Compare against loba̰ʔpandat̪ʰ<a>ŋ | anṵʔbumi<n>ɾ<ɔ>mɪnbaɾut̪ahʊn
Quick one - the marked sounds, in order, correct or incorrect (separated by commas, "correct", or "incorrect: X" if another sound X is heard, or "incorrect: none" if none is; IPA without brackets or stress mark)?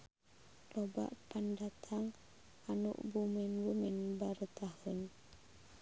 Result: correct, correct, incorrect: u